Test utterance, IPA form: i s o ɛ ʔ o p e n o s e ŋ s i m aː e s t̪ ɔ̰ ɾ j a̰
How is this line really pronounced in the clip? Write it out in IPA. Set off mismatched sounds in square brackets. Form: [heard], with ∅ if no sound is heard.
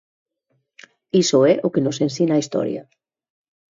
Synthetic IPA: i s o ɛ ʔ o [k] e n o s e [n] s i [n] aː [i] s t̪ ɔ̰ ɾ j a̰

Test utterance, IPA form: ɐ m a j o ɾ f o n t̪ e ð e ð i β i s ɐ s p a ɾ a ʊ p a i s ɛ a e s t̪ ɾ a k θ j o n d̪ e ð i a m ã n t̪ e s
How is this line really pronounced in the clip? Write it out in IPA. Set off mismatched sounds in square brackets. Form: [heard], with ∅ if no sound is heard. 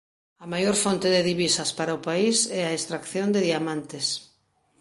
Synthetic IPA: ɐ m a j o ɾ f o n t̪ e ð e ð i β i s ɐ s p a ɾ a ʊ p a i s ɛ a e s t̪ ɾ a k θ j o n d̪ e ð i a m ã n t̪ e s

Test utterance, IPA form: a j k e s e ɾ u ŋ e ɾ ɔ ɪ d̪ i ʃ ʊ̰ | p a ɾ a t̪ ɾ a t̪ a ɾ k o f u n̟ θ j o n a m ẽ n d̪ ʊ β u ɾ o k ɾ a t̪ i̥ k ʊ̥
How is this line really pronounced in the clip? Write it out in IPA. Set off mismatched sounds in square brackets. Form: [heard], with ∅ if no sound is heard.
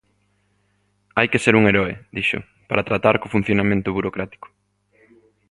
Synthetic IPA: a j k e s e ɾ u ŋ e ɾ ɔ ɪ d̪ i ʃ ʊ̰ | p a ɾ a t̪ ɾ a t̪ a ɾ k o f u n̟ θ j o n a m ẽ n [t̪] ʊ β u ɾ o k ɾ a t̪ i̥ k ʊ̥

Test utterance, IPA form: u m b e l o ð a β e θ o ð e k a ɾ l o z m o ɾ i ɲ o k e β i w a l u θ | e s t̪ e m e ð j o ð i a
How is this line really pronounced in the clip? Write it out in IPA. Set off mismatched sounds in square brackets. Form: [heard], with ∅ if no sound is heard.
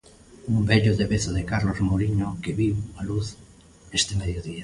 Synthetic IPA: u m b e [ʎ] o ð [e] β e θ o ð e k a ɾ l o z m o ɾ i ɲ o k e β i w a l u θ | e s t̪ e m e ð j o ð i a

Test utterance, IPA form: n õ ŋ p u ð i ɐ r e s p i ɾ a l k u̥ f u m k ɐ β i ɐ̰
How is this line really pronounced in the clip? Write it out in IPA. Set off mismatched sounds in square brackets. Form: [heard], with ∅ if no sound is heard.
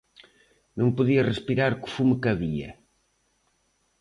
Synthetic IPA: n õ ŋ p u ð i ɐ r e s p i ɾ a [ɾ] k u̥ f u m k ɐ β i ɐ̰

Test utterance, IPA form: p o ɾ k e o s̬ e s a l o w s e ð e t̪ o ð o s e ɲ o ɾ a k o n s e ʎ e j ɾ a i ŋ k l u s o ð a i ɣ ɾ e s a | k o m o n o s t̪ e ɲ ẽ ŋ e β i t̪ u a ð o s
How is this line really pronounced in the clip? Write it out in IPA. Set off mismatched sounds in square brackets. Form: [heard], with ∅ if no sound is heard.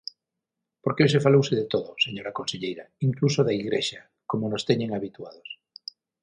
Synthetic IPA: p o ɾ k e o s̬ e [f] a l o w s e ð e t̪ o ð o s e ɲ o ɾ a k o n s e ʎ e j ɾ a i ŋ k l u s o ð a i ɣ ɾ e [ʃ] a | k o m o n o s t̪ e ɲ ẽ ŋ [a] β i t̪ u a ð o s

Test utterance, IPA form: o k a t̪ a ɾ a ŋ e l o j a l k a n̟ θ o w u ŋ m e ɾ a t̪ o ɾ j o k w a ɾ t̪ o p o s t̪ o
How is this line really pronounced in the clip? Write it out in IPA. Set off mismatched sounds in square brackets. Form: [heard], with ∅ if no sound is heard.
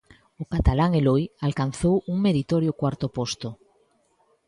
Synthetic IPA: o k a t̪ a [l] a ŋ e l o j a l k a n̟ θ o w u ŋ m e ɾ [i] t̪ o ɾ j o k w a ɾ t̪ o p o s t̪ o

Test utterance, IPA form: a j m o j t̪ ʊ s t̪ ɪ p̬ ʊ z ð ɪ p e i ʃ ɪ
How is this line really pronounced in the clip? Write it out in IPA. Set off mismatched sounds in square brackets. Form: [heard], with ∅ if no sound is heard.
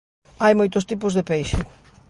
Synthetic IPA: a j m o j t̪ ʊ s t̪ [i] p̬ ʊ z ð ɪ p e [j] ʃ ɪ

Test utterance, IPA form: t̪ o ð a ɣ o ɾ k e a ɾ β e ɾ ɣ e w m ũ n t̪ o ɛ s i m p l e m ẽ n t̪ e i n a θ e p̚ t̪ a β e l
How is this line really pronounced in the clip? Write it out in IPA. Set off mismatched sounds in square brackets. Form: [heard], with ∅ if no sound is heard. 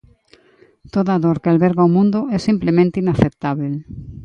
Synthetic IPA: t̪ o ð a [ð] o ɾ k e a [l] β e ɾ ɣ [a] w m ũ n [d̪] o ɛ s i m p l e m ẽ n t̪ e i n a θ e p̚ t̪ a β e l

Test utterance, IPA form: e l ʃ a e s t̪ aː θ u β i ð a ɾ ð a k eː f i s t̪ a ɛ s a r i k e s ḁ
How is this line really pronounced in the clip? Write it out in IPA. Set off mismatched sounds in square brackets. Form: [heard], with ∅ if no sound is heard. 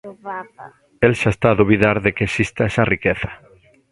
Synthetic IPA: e l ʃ a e s t̪ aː [ð] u β i ð a ɾ ð [e] k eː [s] i s t̪ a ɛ s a r i k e [θ] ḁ

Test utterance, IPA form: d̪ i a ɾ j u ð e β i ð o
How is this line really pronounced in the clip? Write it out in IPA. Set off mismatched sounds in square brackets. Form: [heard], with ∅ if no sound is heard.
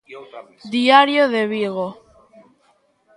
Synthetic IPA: d̪ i a ɾ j [o] ð e β i [ɣ] o

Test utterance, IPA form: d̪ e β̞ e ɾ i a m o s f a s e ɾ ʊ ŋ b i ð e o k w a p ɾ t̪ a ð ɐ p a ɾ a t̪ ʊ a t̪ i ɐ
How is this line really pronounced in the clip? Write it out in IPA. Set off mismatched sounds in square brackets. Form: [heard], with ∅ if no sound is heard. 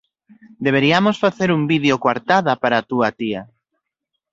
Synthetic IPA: d̪ e β̞ e ɾ i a m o s f a [θ] e ɾ [u] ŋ b i ð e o k w a [∅] ɾ t̪ a ð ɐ p a ɾ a t̪ [u] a t̪ i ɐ

